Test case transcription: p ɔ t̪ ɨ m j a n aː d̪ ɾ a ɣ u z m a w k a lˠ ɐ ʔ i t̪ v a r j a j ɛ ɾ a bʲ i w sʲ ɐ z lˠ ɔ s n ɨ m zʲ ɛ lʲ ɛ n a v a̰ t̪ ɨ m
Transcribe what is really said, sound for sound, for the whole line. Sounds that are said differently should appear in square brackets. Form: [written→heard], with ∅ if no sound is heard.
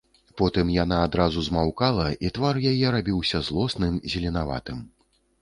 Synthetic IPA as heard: p ɔ t̪ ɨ m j a n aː d̪ ɾ a [ɣ→z] u z m a w k a lˠ ɐ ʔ i t̪ v a r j a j ɛ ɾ a bʲ i w sʲ ɐ z lˠ ɔ s n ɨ m zʲ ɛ lʲ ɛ n a v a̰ t̪ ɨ m

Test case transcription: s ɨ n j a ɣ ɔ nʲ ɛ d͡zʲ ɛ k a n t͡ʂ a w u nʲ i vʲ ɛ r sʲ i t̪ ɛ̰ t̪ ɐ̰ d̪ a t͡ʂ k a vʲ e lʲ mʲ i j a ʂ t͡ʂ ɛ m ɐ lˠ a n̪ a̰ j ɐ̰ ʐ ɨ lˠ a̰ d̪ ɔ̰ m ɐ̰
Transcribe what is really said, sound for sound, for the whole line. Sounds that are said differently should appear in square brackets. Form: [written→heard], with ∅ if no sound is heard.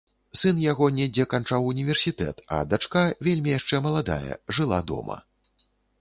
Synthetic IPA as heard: s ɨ n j a ɣ ɔ nʲ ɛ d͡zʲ ɛ k a n t͡ʂ a w u nʲ i vʲ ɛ r sʲ i t̪ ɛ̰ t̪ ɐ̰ d̪ a t͡ʂ k a vʲ e lʲ mʲ i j a ʂ t͡ʂ ɛ m ɐ lˠ a [n̪→d̪] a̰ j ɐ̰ ʐ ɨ lˠ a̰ d̪ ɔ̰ m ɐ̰

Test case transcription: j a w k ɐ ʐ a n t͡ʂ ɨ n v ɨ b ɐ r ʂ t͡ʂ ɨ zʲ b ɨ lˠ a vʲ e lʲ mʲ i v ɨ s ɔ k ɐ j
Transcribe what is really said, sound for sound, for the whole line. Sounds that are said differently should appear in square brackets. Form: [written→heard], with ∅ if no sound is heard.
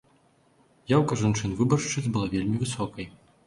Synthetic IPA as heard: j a w k ɐ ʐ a n t͡ʂ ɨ n v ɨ b ɐ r ʂ t͡ʂ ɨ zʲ b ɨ lˠ a vʲ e lʲ mʲ i v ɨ s ɔ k ɐ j

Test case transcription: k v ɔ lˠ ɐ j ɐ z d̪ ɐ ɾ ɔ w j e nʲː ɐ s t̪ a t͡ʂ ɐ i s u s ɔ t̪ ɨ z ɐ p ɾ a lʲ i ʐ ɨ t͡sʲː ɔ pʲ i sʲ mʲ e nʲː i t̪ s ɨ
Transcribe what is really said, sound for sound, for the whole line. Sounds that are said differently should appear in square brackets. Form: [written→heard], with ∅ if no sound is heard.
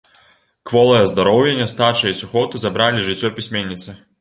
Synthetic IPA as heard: k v ɔ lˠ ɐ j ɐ z d̪ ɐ ɾ ɔ w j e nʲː ɐ s t̪ a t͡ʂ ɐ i s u [s→x] ɔ t̪ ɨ z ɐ [p→b] ɾ a lʲ i ʐ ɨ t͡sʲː ɔ pʲ i sʲ mʲ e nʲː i t̪ s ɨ

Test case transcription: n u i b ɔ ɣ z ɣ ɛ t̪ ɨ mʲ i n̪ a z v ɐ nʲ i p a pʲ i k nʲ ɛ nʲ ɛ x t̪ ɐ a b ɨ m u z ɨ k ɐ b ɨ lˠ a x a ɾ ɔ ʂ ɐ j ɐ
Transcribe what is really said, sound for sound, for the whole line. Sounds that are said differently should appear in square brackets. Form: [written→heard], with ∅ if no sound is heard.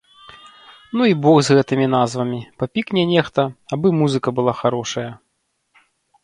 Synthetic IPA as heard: n u i b ɔ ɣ z ɣ ɛ t̪ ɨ mʲ i n̪ a z v ɐ [nʲ→mʲ] i p a pʲ i k nʲ ɛ nʲ ɛ x t̪ ɐ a b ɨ m u z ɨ k ɐ b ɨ lˠ a x a ɾ ɔ ʂ ɐ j ɐ

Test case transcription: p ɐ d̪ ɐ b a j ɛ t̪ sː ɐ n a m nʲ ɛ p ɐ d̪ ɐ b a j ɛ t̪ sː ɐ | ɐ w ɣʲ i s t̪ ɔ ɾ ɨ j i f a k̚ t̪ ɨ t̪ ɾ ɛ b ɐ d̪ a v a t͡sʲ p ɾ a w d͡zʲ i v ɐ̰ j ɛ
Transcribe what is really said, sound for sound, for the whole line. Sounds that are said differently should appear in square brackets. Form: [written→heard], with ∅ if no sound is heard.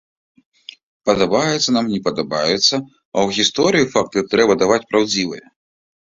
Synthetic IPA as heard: p ɐ d̪ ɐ b a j ɛ t̪ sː ɐ n a m nʲ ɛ p ɐ d̪ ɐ b a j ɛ t̪ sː ɐ | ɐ w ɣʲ i s t̪ ɔ ɾ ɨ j i f a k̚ t̪ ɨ t̪ ɾ ɛ b ɐ d̪ a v a t͡sʲ p ɾ a w d͡zʲ i v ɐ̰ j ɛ

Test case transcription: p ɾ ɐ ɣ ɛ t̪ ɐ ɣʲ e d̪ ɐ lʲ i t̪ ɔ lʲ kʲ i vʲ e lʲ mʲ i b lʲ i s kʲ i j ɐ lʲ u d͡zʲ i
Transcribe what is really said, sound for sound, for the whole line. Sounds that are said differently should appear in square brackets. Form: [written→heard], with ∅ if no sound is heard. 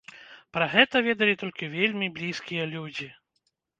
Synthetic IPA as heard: p ɾ ɐ ɣ ɛ t̪ ɐ [ɣʲ→vʲ] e d̪ ɐ lʲ i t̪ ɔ lʲ kʲ i vʲ e lʲ mʲ i b lʲ i s kʲ i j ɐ lʲ u d͡zʲ i

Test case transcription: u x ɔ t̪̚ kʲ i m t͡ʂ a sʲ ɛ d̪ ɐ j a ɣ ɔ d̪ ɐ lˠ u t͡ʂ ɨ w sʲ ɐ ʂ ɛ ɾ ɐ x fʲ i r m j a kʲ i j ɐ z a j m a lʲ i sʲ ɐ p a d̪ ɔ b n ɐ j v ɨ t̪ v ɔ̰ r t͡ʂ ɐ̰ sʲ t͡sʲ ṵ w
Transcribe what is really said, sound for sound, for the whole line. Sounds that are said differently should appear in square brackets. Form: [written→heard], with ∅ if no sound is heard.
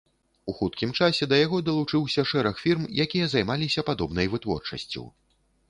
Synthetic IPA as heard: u x [ɔ→u] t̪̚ kʲ i m t͡ʂ a sʲ ɛ d̪ ɐ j a ɣ ɔ d̪ ɐ lˠ u t͡ʂ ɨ w sʲ ɐ ʂ ɛ ɾ ɐ x fʲ i r m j a kʲ i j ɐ z a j m a lʲ i sʲ ɐ p a d̪ ɔ b n ɐ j v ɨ t̪ v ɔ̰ r t͡ʂ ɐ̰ sʲ t͡sʲ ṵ w

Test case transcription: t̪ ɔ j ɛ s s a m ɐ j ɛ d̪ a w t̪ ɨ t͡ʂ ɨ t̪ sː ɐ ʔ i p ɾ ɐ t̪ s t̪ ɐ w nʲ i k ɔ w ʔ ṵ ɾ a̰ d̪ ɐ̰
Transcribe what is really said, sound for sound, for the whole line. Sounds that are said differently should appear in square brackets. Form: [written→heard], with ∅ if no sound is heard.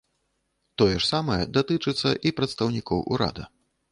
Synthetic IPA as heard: t̪ ɔ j ɛ [s→ʂ] s a m ɐ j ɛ d̪ a [w→∅] t̪ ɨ t͡ʂ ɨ t̪ sː ɐ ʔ i p ɾ ɐ t̪ s t̪ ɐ w nʲ i k ɔ w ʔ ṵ ɾ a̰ d̪ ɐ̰

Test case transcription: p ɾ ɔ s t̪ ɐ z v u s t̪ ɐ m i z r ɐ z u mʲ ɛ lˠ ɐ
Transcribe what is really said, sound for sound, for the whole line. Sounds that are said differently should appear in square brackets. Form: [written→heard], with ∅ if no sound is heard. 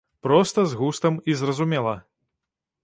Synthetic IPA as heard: p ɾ ɔ s t̪ ɐ z [v→ɣ] u s t̪ ɐ m i z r ɐ z u mʲ ɛ lˠ ɐ

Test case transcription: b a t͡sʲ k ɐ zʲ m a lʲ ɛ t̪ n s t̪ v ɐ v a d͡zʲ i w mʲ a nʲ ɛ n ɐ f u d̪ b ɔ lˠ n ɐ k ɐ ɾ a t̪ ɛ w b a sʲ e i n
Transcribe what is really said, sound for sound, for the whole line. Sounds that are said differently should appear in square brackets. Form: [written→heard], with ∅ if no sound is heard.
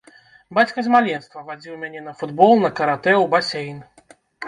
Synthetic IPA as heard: b a t͡sʲ k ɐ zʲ m a lʲ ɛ [t̪→∅] n s t̪ v ɐ v a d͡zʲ i w mʲ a nʲ ɛ n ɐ f u d̪ b ɔ lˠ n ɐ k ɐ ɾ a t̪ ɛ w b a sʲ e [i→j] n

